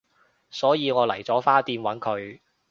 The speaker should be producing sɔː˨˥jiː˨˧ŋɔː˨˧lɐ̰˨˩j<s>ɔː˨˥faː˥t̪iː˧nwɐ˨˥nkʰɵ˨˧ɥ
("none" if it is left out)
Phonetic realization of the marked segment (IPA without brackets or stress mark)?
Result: t͡s